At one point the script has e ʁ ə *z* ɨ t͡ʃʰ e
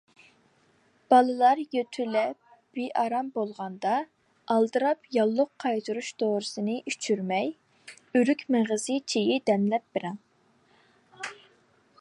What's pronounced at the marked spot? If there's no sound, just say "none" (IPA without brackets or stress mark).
z